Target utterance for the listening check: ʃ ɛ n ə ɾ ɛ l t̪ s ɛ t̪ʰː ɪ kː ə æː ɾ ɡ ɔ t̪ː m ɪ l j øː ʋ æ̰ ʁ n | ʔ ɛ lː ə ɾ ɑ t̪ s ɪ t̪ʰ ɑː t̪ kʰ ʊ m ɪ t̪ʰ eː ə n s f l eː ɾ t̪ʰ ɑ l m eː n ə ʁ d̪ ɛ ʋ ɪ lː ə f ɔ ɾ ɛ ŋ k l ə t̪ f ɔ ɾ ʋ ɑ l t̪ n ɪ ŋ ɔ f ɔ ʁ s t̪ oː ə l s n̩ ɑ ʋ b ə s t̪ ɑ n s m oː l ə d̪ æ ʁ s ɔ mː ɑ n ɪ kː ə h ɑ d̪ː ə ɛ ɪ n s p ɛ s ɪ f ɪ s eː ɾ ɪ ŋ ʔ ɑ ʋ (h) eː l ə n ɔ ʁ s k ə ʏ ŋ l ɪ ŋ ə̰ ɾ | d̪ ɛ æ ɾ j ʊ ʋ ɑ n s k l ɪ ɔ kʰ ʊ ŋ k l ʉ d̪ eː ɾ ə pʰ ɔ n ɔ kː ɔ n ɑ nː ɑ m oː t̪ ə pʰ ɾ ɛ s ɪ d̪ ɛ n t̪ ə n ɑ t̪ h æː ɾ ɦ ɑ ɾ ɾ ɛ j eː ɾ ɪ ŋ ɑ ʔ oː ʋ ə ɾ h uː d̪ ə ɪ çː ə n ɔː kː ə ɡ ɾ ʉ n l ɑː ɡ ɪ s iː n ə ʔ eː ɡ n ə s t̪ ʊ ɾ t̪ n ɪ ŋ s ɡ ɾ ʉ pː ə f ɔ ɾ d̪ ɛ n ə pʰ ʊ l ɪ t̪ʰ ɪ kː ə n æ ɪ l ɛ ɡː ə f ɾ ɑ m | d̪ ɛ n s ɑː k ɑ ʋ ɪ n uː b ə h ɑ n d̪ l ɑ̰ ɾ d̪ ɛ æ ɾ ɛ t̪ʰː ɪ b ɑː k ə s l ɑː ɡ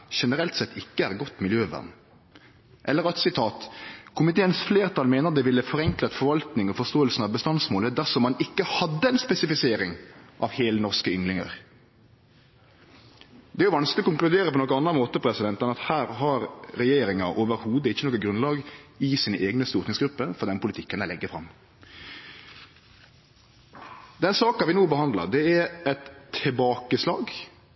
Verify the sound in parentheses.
correct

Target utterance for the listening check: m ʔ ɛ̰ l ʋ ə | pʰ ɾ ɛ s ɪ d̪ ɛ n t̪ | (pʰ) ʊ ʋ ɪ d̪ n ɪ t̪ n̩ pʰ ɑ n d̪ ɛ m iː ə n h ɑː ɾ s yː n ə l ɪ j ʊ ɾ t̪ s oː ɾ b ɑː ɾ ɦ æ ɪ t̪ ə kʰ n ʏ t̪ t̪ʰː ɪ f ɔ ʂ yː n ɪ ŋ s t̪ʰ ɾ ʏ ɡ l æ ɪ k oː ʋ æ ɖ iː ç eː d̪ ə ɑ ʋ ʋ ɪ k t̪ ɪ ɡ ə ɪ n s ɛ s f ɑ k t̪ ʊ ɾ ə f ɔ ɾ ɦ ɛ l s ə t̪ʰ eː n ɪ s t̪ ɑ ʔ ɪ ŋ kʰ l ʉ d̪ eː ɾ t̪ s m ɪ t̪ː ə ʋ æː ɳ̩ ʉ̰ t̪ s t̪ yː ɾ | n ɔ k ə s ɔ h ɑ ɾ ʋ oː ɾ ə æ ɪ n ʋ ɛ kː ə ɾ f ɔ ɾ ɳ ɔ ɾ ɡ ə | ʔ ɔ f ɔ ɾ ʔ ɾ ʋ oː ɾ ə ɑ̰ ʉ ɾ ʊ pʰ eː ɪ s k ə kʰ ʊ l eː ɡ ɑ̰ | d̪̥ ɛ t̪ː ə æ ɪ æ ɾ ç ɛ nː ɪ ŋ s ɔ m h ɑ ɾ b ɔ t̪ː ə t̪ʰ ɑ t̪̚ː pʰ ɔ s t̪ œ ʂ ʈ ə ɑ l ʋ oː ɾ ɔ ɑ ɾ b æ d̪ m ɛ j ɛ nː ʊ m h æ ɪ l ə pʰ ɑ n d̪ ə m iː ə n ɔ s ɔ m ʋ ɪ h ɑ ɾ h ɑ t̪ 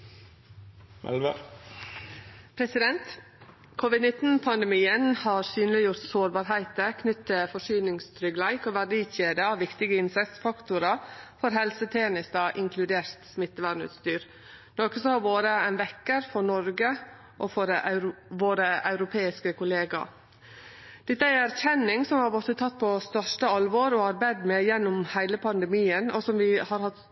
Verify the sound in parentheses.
incorrect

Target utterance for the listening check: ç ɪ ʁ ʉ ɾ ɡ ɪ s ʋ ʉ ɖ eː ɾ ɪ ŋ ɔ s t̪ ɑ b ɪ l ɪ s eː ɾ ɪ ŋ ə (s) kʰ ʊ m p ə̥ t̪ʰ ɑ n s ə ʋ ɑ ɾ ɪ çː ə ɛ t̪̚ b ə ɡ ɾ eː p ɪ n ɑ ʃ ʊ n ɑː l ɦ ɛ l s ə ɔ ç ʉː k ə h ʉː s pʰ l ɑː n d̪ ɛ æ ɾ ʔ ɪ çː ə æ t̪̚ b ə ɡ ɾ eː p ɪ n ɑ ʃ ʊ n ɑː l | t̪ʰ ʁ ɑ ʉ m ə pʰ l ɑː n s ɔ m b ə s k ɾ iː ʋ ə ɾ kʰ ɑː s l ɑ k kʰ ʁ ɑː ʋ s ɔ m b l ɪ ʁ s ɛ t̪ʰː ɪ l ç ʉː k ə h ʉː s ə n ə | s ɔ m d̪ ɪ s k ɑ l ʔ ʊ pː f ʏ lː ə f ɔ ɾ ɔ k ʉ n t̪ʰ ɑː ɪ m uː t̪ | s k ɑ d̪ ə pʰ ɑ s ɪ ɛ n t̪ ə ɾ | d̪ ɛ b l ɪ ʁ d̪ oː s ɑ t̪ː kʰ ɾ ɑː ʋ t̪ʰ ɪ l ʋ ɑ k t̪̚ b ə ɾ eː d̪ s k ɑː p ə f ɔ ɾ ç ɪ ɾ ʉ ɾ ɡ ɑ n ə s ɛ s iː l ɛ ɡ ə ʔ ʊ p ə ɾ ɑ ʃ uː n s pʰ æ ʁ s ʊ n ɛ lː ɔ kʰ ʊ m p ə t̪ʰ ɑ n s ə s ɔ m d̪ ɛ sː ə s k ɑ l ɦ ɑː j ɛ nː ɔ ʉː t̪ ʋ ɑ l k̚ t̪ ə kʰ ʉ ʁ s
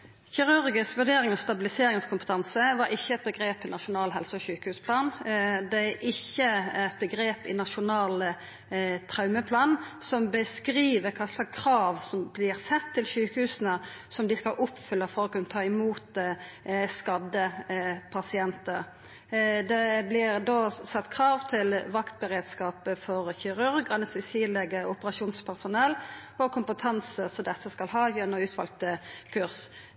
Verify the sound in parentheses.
correct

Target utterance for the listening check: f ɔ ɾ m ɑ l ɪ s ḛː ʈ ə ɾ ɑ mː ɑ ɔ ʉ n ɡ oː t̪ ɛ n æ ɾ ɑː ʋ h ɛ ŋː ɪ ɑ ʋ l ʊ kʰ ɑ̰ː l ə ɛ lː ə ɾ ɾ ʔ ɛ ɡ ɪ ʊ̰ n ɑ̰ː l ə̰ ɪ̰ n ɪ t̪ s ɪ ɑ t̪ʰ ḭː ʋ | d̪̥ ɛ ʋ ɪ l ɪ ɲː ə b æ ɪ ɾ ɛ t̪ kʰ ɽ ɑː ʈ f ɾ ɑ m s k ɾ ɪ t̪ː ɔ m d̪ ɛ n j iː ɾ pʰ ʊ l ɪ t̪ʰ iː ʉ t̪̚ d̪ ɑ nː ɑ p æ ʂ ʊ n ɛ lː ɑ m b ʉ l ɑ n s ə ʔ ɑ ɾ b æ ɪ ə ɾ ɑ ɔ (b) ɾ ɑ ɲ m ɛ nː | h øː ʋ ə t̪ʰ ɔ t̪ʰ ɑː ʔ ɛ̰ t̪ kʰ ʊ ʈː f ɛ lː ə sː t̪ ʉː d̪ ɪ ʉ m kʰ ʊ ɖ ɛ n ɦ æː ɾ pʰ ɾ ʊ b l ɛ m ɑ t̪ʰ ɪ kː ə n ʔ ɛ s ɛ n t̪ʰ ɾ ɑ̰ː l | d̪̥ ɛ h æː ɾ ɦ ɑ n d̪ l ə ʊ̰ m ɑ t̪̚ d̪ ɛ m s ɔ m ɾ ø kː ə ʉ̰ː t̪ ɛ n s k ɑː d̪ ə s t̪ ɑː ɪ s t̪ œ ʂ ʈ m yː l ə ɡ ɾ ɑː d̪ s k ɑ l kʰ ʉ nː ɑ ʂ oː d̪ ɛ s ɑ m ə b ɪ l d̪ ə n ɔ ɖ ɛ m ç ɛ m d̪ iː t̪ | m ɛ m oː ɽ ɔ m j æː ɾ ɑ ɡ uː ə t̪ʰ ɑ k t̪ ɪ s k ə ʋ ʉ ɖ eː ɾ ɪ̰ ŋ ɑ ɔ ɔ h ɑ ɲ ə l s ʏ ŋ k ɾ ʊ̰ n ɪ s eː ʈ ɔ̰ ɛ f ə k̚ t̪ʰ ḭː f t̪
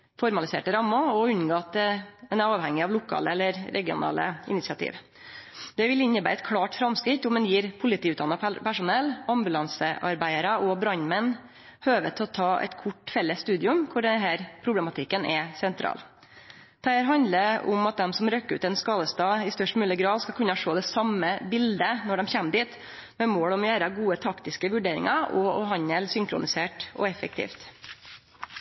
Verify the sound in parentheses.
correct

